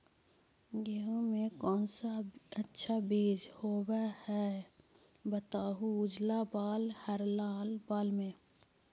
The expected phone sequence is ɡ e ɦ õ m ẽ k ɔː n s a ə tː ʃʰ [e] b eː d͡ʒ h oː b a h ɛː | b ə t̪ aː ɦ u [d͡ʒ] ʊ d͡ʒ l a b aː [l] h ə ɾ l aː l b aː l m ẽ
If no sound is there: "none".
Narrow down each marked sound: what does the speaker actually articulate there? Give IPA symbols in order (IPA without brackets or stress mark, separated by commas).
a, none, l